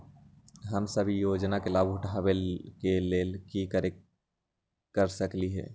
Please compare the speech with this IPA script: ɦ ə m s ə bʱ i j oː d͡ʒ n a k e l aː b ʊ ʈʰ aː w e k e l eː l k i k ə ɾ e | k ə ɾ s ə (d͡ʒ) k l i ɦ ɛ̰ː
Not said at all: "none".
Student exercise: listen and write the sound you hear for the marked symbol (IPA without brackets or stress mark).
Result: none